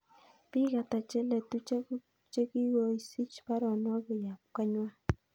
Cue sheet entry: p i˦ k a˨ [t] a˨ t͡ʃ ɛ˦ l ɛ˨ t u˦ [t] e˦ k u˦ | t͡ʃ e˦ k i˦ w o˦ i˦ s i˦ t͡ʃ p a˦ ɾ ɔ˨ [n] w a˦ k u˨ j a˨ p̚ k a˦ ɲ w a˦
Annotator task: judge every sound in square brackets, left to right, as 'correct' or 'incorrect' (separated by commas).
correct, incorrect, correct